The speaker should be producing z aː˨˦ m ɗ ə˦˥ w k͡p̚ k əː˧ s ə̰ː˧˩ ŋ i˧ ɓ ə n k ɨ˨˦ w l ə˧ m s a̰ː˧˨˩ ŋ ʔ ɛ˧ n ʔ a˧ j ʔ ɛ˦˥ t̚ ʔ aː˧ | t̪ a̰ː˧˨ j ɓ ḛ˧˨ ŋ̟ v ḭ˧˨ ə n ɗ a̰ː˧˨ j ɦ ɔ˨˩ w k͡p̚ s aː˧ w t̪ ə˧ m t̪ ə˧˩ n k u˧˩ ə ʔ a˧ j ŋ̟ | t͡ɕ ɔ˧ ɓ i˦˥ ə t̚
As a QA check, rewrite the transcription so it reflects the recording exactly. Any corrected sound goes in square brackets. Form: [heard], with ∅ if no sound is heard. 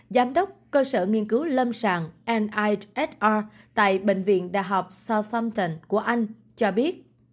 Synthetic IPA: z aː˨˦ m ɗ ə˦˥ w k͡p̚ k əː˧ s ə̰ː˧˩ ŋ i˧ [∅] ə n k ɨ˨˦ w l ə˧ m s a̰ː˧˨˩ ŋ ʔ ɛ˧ n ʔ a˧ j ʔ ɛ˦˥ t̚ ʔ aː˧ | t̪ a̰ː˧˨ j ɓ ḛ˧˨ ŋ̟ v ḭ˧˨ ə n ɗ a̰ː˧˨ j ɦ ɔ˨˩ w k͡p̚ s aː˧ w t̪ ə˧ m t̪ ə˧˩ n k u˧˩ ə ʔ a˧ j ŋ̟ | t͡ɕ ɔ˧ ɓ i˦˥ ə t̚